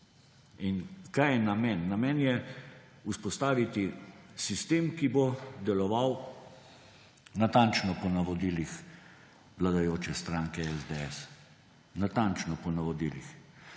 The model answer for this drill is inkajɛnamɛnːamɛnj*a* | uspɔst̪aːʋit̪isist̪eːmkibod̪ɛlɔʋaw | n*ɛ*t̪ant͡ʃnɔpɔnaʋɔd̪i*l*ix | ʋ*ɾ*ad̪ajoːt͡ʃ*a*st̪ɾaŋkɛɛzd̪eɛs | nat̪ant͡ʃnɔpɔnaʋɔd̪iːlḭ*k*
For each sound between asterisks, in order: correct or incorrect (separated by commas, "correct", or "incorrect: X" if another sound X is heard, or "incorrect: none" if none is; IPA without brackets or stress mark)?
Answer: incorrect: ɛ, incorrect: a, correct, incorrect: l, incorrect: ɛ, incorrect: x